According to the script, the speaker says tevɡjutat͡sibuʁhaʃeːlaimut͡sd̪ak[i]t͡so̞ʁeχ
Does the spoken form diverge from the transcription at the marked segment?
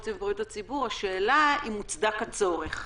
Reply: yes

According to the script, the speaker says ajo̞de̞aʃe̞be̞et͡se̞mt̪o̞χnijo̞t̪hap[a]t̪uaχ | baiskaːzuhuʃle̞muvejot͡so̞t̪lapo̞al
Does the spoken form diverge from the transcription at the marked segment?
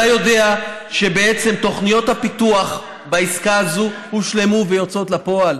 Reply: yes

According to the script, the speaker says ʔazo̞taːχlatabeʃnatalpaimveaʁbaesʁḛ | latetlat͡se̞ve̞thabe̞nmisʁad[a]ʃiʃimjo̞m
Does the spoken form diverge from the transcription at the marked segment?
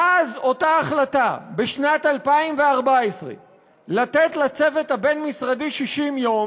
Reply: yes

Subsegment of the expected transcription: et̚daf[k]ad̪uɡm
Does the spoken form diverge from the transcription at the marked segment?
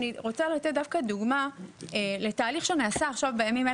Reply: no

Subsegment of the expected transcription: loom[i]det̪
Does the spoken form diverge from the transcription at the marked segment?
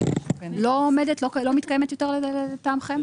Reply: yes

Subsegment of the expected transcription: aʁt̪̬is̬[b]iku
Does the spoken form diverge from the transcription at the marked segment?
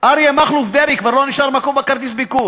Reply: no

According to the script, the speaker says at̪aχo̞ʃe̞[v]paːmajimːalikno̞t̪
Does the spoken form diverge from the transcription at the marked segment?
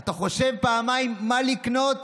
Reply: no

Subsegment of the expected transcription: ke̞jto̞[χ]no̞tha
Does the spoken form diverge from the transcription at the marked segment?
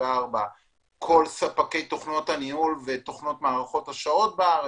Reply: no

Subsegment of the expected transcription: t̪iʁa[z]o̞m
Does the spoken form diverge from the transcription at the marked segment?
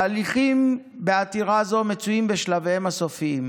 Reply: no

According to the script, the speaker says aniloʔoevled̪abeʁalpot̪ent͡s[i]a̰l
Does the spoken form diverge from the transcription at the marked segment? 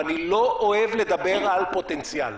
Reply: yes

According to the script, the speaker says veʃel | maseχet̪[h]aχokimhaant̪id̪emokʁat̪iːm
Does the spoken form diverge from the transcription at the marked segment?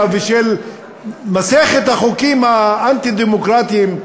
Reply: no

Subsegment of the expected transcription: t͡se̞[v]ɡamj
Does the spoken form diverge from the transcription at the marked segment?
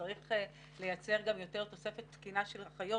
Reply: yes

